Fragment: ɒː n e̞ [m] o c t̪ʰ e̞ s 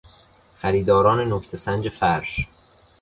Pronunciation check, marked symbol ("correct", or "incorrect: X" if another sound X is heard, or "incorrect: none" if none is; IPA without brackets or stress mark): incorrect: n